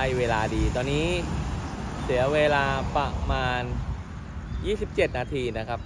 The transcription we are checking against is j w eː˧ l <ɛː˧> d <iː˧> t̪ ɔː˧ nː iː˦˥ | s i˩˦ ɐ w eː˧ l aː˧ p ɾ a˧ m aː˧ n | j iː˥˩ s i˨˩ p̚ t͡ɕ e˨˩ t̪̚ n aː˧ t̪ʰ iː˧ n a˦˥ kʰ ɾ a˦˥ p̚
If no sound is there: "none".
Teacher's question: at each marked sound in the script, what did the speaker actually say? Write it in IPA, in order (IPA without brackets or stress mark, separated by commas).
aː˧, iː˧